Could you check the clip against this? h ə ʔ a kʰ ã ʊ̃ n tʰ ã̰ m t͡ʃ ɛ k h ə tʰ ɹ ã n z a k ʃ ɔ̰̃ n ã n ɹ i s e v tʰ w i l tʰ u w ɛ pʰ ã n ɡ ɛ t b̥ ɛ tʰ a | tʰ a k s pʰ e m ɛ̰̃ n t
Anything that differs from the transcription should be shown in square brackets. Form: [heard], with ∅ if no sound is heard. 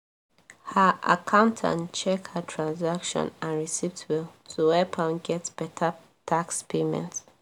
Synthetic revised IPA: h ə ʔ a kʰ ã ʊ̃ n tʰ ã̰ [n] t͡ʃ ɛ k h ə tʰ ɹ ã n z a k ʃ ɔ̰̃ n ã n ɹ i s [i] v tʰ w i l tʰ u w ɛ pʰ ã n ɡ ɛ t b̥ ɛ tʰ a | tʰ a k s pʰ e m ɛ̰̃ n t

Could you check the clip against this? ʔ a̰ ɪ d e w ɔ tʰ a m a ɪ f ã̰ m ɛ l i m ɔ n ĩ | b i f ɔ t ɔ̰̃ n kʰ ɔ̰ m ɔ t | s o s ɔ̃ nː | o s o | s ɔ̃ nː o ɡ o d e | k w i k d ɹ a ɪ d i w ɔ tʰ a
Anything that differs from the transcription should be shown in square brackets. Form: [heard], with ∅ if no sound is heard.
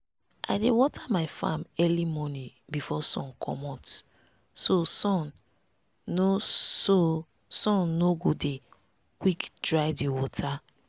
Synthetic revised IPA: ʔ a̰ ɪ d e w ɔ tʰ a m a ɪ f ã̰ m ɛ l i m ɔ n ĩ | b i f ɔ [s] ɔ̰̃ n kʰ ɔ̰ m ɔ t | s o s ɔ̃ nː | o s o | s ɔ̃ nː o ɡ o d e | k w i k d ɹ a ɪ d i w ɔ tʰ a

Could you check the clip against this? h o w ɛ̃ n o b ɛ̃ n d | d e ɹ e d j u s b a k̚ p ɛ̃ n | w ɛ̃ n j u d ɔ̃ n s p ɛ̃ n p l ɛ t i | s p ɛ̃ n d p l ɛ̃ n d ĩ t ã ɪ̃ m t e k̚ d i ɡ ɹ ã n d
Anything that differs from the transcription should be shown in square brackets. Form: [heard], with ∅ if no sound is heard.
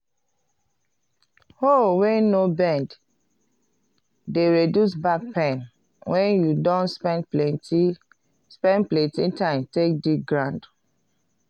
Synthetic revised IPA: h o w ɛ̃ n o b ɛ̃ n d | d e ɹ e d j u s b a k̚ p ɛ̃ n | w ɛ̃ n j u d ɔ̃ n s p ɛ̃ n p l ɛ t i | s p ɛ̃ n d p l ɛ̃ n [t] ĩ t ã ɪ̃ m t e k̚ d i ɡ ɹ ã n d

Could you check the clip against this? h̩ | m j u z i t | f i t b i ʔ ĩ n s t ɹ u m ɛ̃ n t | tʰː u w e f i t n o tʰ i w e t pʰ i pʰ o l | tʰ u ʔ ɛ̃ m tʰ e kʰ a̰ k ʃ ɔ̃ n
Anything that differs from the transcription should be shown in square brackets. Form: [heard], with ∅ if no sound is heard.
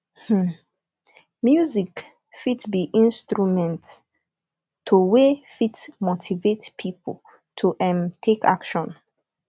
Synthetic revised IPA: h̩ | m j u z i [k] | f i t b i ʔ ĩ n s t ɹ u m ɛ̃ n t | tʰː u w e f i t [m] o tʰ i [v] e t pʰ i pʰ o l | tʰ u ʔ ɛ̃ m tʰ e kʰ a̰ k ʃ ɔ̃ n

